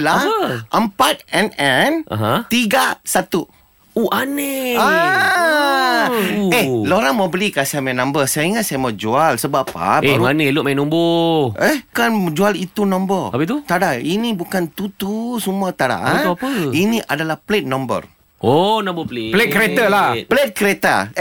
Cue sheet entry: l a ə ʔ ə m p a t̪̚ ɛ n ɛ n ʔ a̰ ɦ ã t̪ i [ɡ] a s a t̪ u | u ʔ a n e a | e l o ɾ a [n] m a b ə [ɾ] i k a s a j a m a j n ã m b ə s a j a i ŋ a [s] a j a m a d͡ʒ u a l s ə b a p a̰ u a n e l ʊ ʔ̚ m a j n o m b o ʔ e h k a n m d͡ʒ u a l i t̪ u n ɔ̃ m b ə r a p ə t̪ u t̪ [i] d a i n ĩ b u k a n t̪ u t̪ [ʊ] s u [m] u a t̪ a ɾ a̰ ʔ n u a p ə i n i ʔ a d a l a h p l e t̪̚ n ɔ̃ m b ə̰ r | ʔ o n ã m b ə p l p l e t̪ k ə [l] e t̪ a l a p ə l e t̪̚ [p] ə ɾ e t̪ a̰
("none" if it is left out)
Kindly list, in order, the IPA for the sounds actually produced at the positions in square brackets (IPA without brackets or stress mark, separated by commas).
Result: ɡ, ŋ, l, s, a, u, m, ɾ, k